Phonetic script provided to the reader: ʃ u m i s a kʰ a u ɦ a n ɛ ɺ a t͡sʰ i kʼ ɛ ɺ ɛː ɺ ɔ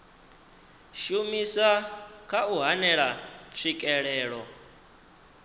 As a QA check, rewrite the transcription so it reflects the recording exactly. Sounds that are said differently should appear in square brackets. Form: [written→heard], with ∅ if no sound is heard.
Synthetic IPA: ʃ u m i s a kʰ a u ɦ a n ɛ ɺ a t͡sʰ i kʼ ɛ ɺ ɛː ɺ ɔ